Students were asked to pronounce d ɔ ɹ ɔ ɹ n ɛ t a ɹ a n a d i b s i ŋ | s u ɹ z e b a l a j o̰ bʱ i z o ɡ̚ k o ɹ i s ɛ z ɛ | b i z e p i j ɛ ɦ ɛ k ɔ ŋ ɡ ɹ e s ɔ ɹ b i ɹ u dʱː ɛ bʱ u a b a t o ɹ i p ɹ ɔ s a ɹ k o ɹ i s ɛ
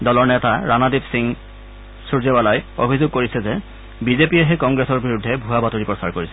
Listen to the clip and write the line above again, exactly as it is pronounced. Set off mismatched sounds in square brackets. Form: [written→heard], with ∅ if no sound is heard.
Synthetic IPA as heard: d ɔ [ɹ→l] ɔ ɹ n ɛ t a ɹ a n a d i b s i ŋ | s u ɹ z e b a l a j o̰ bʱ i z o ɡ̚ k o ɹ i s ɛ z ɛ | b i z e p i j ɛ ɦ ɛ k ɔ ŋ ɡ ɹ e s ɔ ɹ b i ɹ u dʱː ɛ bʱ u a b a t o ɹ i p ɹ ɔ s a ɹ k o ɹ i s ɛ